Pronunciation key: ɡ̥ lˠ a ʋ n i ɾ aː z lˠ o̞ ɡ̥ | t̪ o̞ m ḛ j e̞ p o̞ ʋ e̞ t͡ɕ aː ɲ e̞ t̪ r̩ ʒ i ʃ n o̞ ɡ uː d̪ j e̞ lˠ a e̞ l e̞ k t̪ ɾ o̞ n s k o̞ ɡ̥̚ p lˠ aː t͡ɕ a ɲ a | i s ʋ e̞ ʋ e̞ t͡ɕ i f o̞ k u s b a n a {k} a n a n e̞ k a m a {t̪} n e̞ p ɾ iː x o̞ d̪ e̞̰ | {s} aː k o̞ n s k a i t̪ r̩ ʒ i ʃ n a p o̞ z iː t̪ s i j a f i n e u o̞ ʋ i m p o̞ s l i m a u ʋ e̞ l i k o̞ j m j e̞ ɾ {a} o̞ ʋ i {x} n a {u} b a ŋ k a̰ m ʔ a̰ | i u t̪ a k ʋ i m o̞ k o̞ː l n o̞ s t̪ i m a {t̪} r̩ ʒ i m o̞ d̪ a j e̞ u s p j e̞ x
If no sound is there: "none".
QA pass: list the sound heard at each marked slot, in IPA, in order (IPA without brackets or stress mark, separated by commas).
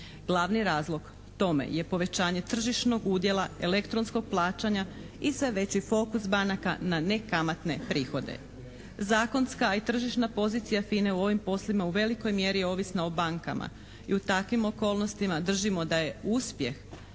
k, t̪, z, i, s, o, d̪